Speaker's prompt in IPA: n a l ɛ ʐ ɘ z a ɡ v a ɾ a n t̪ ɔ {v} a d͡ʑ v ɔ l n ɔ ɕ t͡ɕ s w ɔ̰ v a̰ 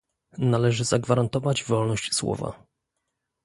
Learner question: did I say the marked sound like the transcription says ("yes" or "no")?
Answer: yes